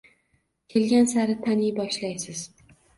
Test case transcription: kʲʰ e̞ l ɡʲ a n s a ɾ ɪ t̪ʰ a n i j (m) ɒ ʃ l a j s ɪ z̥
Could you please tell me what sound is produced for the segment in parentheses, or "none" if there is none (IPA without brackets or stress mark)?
b